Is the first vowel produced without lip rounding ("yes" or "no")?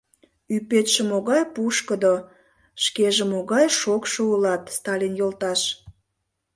no